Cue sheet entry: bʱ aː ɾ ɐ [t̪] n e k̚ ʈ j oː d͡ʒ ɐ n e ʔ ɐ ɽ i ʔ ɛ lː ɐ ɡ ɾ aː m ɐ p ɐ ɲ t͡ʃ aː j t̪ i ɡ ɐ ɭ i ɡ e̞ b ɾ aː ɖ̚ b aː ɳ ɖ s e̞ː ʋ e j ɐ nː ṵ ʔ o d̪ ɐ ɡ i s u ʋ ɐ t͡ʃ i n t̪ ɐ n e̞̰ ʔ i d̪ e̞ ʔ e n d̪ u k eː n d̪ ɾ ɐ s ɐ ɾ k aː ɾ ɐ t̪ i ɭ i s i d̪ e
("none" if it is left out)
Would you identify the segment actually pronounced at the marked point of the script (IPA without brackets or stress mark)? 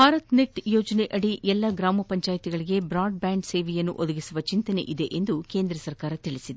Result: t̪